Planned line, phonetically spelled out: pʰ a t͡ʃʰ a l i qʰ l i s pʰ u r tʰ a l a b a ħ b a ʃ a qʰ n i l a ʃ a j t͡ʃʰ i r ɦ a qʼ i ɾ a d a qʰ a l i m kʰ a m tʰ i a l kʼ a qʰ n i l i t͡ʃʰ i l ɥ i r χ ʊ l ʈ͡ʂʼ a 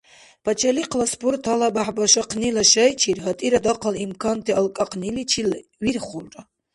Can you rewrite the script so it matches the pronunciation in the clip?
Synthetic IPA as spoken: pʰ a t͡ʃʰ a l i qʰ l a s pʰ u r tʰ a l a b a ħ b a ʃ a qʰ n i l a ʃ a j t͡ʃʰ i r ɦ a tʼ i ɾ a d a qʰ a l i m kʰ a n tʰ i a l kʼ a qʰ n i l i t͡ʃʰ i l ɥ i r χ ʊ l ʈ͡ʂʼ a